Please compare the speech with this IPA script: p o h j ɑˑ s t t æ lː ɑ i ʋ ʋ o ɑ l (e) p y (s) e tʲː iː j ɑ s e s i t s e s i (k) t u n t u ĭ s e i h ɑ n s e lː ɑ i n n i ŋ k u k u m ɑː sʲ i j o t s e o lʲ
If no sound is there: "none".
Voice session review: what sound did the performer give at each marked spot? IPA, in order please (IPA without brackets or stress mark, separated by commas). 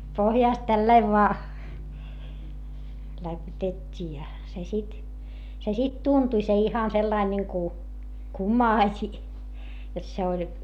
æ, t, t